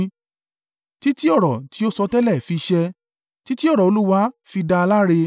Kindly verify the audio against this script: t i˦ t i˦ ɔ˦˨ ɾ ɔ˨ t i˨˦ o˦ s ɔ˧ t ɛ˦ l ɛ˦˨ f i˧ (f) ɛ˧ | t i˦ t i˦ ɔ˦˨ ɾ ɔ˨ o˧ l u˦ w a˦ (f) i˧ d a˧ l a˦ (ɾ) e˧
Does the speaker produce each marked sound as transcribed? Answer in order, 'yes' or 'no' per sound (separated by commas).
no, yes, yes